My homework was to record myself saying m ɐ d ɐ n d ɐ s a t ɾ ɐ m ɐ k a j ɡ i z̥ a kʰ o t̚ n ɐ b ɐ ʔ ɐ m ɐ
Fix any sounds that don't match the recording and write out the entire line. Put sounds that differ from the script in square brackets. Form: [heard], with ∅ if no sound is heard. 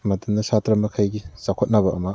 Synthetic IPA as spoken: m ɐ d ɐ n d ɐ s a t ɾ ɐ m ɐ [kʰ] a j ɡ i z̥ a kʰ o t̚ n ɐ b ɐ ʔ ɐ m ɐ